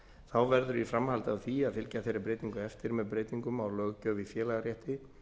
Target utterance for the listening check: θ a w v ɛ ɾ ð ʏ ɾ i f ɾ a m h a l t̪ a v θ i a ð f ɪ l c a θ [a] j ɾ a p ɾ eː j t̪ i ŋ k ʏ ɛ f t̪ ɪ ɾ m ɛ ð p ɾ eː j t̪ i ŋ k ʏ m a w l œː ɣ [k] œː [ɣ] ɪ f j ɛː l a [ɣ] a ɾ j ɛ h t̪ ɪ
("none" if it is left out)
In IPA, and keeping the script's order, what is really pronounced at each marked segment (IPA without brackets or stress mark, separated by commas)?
e, c, v, ɣ